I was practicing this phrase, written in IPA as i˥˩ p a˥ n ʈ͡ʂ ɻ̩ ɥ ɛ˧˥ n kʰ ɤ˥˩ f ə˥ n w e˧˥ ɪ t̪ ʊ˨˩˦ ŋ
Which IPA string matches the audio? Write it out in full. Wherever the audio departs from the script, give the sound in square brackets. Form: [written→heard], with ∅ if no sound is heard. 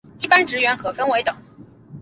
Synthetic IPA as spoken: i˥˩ p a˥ n ʈ͡ʂ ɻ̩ ɥ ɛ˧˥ n kʰ [ɤ˥˩→ɤ˨˩] f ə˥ n w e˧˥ ɪ t̪ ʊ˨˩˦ ŋ